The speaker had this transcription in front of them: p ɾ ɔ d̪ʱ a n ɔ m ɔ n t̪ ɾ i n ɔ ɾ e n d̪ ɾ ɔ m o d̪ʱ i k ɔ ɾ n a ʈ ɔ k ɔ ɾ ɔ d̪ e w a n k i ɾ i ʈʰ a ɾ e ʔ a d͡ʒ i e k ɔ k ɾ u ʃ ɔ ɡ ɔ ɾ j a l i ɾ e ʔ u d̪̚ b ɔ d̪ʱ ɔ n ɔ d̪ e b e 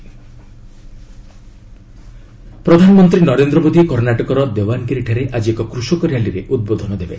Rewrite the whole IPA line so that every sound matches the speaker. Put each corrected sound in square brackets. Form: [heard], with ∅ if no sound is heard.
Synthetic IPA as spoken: p ɾ ɔ d̪ʱ a n ɔ m ɔ n t̪ ɾ i n ɔ ɾ e n d̪ ɾ ɔ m o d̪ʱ i k ɔ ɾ n a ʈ ɔ k ɔ ɾ ɔ d̪ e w a n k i ɾ i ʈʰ a ɾ e ʔ a d͡ʒ i e k ɔ k ɾ u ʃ ɔ [k] ɔ ɾ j a l i ɾ e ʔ u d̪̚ b [o] d̪ʱ ɔ n ɔ d̪ e b e